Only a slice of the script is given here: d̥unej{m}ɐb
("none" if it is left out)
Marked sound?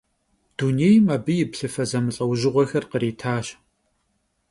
m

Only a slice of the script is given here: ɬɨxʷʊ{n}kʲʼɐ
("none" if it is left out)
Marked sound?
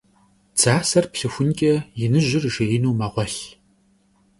n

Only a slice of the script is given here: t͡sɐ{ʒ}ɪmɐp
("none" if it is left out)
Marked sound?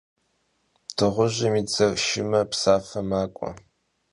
ʃ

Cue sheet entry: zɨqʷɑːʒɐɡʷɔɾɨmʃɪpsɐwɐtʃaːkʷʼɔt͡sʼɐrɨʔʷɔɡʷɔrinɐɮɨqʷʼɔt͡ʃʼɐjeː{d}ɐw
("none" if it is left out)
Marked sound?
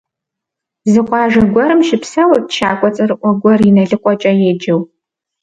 d͡ʒ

